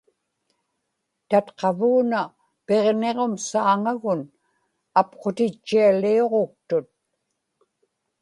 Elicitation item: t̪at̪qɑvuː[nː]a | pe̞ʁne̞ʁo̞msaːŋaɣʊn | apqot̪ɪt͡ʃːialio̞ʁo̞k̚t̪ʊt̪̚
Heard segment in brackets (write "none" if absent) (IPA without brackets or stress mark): n